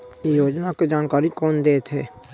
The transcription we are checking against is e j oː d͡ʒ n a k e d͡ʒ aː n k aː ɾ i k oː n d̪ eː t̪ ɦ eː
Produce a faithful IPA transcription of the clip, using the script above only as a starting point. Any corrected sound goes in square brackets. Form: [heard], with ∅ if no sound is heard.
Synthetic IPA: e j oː d͡ʒ n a k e d͡ʒ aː n k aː ɾ i k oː n d̪ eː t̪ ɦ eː